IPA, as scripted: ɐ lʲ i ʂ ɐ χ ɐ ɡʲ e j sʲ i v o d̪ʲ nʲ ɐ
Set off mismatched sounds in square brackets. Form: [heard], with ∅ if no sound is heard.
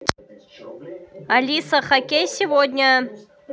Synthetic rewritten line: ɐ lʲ i [s] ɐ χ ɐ [kʲ] e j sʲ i v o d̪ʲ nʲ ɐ